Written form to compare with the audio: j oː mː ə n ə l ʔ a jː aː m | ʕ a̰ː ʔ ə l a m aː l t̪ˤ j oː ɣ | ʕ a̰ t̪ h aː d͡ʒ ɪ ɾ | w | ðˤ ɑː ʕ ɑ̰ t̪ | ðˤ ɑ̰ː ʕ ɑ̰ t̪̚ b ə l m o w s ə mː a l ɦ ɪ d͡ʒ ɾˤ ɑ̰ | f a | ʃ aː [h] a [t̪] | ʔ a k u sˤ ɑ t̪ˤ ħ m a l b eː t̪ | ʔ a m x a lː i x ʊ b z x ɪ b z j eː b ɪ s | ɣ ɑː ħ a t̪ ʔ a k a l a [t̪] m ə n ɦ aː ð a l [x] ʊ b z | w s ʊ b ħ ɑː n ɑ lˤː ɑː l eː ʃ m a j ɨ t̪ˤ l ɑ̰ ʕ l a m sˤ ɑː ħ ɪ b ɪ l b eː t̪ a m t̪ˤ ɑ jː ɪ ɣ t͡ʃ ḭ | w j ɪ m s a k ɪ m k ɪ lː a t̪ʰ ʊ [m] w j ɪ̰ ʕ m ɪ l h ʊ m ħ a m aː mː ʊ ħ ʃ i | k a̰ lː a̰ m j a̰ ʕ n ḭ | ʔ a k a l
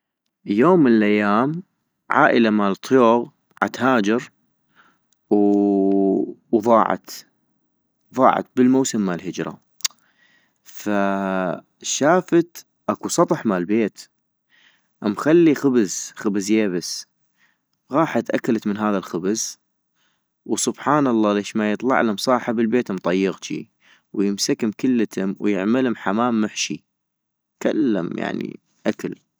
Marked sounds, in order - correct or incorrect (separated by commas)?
incorrect, correct, correct, correct, correct